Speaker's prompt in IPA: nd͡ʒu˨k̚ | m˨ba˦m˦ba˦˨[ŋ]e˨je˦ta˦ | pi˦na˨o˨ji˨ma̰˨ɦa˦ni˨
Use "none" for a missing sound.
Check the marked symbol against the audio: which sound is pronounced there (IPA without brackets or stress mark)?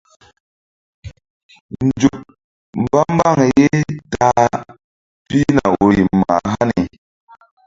ŋ